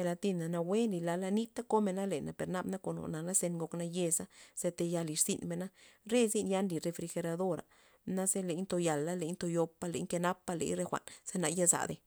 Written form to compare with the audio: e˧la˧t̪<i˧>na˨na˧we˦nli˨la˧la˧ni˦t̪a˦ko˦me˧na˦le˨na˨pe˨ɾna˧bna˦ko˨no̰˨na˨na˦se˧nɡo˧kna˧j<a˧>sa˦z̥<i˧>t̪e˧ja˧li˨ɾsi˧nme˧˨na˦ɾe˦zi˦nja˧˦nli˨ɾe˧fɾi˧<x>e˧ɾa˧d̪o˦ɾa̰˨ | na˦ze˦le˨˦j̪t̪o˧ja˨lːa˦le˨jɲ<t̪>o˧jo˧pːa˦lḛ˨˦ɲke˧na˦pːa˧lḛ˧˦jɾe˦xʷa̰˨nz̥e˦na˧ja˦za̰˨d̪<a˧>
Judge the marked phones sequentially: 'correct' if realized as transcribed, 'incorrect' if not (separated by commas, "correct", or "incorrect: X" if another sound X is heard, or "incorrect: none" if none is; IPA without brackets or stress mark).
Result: correct, incorrect: e˧, incorrect: e˧, correct, correct, incorrect: e˧